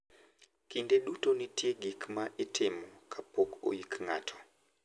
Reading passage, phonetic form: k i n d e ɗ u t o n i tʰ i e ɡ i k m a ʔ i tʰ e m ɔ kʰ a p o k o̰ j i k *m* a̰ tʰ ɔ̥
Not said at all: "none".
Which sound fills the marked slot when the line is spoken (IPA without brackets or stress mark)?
ŋ